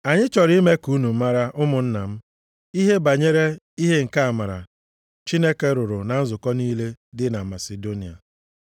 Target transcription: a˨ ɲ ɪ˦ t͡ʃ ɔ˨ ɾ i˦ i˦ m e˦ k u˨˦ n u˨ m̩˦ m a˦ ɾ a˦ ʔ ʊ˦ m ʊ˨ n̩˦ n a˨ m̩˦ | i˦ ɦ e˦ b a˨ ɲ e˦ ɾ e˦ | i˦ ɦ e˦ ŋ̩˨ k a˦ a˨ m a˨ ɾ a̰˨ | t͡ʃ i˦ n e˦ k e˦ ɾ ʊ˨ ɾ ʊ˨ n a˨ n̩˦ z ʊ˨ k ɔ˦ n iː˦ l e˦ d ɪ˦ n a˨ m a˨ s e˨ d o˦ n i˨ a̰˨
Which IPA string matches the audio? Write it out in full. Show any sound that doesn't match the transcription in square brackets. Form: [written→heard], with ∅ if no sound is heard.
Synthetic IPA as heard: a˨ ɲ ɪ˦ t͡ʃ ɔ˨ ɾ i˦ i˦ m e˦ k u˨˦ n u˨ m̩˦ m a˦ ɾ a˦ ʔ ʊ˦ m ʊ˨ n̩˦ n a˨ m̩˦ | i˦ ɦ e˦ b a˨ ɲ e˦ ɾ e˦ | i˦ ɦ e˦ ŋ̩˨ k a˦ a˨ m a˨ ɾ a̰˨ | t͡ʃ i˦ n e˦ k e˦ ɾ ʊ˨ ɾ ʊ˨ n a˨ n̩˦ z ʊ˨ k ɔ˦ n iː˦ l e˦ d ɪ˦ n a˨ m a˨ s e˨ d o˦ n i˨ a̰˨